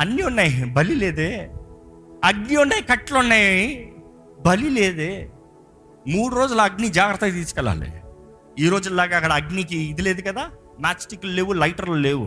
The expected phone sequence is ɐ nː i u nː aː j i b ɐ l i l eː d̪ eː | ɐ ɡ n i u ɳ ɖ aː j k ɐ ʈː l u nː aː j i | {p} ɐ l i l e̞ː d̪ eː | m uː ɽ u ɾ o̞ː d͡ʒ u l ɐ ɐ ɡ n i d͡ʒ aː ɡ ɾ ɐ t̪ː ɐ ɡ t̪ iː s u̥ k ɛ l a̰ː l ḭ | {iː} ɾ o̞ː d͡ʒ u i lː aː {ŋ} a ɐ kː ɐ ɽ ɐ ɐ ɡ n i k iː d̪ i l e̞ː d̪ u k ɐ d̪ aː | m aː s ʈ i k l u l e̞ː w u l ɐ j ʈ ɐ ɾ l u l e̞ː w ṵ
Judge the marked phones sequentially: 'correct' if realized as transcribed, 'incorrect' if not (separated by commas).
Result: incorrect, correct, incorrect